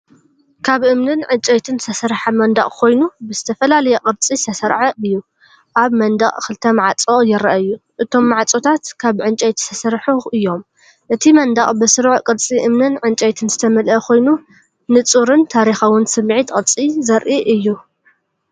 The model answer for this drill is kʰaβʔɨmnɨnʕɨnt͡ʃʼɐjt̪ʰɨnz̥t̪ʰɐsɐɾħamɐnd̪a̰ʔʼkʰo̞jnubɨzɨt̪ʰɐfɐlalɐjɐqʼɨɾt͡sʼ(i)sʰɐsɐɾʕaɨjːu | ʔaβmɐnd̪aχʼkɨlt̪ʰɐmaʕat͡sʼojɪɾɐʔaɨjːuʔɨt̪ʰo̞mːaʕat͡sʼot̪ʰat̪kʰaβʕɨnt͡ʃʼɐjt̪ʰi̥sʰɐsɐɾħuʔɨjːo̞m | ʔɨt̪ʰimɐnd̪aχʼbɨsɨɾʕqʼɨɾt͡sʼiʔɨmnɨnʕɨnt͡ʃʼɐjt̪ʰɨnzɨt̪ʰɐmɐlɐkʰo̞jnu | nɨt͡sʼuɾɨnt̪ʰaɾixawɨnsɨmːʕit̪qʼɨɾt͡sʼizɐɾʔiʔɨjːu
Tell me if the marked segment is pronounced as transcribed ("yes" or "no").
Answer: yes